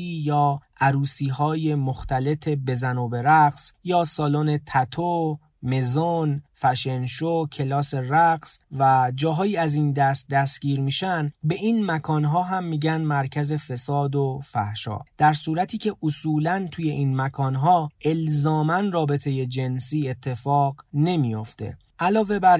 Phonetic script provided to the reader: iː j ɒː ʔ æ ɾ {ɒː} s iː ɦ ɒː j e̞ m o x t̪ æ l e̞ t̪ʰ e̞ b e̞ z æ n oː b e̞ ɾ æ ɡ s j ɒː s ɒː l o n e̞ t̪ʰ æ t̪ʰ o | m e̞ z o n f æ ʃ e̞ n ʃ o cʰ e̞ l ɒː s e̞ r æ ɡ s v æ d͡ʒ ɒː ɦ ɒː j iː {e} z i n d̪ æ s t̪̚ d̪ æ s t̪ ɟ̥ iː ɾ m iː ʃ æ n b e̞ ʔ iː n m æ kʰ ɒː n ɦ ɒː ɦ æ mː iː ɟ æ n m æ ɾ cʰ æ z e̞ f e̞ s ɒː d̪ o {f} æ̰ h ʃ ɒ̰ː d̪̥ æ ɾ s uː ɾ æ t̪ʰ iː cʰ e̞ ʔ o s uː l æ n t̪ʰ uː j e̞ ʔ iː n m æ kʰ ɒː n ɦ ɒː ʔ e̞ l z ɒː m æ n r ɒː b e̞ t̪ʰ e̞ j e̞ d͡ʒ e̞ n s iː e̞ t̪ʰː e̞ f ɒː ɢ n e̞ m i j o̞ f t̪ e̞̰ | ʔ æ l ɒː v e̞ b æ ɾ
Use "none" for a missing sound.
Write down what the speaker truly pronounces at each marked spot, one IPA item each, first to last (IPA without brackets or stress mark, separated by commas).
uː, æ, f